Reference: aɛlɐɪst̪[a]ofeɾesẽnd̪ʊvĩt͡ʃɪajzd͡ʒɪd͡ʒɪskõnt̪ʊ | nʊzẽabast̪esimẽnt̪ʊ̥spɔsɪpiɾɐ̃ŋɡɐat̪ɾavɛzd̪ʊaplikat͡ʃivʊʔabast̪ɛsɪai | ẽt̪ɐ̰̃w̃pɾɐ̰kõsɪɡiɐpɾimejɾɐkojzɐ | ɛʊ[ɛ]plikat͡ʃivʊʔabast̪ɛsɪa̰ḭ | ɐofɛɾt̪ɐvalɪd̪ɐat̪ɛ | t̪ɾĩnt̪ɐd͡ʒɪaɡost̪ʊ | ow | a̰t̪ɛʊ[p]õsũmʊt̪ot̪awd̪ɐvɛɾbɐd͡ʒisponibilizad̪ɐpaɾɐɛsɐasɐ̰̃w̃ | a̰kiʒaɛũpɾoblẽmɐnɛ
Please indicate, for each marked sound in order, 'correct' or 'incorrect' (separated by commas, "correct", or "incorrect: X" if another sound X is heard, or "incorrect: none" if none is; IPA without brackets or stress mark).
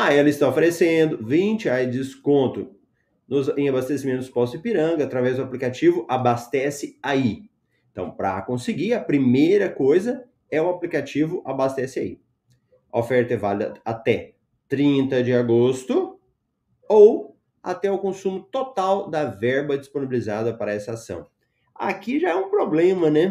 correct, incorrect: a, incorrect: k